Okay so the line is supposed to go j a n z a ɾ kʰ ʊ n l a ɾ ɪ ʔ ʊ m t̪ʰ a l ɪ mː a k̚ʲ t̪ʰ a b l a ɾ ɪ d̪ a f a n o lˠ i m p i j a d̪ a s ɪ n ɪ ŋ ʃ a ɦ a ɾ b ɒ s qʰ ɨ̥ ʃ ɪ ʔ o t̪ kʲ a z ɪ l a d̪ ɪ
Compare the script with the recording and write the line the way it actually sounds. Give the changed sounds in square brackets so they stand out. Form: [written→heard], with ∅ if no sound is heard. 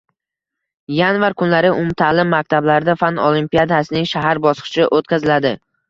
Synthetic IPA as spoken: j a n [z→v] a ɾ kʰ ʊ n l a ɾ ɪ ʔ ʊ m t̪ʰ a l ɪ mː a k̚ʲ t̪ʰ a b l a ɾ ɪ d̪ a f a n o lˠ i m p i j a d̪ a s ɪ n ɪ ŋ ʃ a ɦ a ɾ b ɒ s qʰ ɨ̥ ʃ ɪ ʔ o t̪ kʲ a z ɪ l a d̪ ɪ